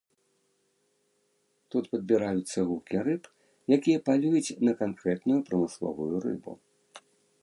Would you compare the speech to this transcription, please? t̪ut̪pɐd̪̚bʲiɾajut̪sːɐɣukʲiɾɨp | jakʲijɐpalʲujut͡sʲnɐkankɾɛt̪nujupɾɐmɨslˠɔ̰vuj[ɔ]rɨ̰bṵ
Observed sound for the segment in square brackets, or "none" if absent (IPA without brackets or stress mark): u